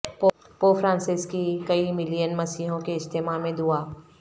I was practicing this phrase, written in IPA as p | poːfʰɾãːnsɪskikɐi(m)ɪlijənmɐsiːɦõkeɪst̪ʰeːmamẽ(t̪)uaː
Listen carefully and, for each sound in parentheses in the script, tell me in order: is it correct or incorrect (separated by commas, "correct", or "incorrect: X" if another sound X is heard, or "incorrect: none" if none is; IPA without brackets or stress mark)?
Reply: correct, incorrect: d̪